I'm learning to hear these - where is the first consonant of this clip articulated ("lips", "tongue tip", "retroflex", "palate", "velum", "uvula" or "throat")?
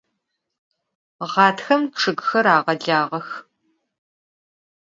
uvula